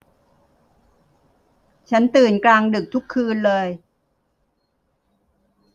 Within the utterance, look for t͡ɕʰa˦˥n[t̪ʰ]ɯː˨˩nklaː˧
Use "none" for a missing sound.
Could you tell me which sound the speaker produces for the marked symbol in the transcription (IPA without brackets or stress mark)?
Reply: t̪